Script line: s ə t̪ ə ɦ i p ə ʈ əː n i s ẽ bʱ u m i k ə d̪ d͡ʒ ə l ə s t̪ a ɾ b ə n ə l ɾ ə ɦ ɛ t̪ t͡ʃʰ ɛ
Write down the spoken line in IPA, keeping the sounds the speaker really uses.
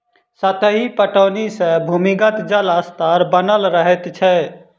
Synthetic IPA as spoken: s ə t̪ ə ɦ i p ə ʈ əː n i s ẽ bʱ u m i ɡ ə t̪ d͡ʒ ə l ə s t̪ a ɾ b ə n ə l ɾ ə ɦ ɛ t̪ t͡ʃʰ ɛ